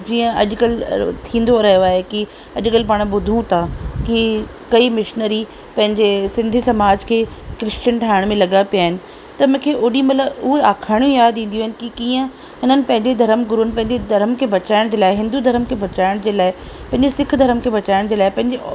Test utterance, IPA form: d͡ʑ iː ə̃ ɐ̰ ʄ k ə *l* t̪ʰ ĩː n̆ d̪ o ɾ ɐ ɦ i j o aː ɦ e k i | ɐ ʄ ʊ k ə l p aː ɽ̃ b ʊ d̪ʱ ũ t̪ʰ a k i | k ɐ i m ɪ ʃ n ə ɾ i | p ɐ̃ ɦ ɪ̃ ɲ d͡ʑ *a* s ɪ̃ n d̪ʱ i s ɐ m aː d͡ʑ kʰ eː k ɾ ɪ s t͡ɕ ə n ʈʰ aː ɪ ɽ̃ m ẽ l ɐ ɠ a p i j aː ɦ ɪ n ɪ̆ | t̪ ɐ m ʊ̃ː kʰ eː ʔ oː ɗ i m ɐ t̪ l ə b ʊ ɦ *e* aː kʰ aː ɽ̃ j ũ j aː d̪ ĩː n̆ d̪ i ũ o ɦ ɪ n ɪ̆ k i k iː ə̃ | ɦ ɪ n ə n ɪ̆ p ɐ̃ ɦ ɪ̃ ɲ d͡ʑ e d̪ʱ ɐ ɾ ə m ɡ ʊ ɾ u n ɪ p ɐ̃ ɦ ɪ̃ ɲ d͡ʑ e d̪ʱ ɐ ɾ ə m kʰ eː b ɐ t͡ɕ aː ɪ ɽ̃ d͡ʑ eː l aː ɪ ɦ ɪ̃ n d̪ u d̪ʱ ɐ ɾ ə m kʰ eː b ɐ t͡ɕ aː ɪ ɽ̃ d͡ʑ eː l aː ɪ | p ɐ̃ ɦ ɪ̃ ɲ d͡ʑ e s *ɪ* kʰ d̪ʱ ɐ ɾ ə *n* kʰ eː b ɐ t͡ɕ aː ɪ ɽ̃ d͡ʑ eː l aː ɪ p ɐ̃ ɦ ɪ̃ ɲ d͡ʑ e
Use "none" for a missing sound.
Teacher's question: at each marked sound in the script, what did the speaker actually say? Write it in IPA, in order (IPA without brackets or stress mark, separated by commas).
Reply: l, e, e, ɪ, m